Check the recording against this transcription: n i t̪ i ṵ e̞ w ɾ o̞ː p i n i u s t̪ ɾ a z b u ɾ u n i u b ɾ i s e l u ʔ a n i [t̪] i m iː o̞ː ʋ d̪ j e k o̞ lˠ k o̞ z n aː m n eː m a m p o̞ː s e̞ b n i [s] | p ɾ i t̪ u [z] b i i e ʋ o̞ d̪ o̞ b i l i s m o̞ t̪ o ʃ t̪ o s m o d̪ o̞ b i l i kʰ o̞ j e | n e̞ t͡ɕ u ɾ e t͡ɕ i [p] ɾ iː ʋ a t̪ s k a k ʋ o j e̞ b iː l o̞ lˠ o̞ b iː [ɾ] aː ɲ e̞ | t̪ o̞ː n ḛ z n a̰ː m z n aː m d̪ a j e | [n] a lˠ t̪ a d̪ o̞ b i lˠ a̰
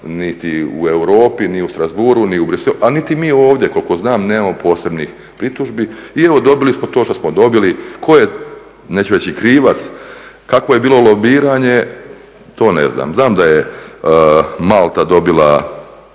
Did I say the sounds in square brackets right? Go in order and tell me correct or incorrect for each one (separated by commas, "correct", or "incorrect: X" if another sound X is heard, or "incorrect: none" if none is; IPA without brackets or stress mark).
correct, incorrect: x, incorrect: ʒ, incorrect: k, correct, incorrect: m